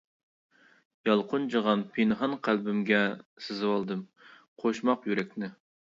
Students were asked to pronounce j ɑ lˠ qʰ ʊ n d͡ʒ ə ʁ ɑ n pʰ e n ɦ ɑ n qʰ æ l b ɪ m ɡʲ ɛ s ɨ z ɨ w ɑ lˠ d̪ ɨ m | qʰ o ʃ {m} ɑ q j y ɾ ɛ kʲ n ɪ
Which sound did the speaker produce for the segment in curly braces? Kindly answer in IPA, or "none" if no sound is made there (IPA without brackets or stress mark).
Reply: m